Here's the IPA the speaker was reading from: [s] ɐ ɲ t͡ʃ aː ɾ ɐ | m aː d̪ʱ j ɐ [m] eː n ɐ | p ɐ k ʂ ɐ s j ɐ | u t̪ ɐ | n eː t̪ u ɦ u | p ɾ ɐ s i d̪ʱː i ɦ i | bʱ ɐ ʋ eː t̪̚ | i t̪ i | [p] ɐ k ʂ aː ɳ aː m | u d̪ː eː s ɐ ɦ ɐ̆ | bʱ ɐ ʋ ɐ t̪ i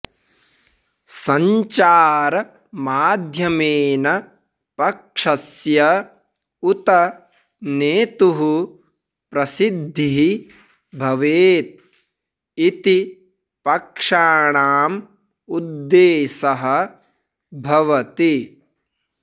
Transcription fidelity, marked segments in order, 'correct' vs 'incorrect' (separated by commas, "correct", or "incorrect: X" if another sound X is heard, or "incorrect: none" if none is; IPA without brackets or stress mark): correct, correct, correct